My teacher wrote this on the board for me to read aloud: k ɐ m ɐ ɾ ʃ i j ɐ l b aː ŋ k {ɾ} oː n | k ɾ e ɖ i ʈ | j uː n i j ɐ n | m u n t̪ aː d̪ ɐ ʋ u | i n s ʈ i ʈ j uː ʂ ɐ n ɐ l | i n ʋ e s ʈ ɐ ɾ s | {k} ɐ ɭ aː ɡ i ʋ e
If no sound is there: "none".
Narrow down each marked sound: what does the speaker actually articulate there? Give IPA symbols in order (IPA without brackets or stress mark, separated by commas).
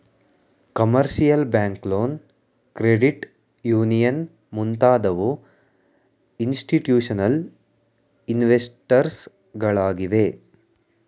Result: l, ɡ